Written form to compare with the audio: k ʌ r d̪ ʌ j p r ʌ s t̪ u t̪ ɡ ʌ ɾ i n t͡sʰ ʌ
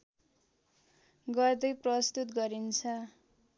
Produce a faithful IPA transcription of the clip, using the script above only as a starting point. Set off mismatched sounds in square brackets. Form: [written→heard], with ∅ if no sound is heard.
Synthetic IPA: [k→ɡ] ʌ r d̪ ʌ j p r ʌ s t̪ u t̪ ɡ ʌ ɾ i n t͡sʰ ʌ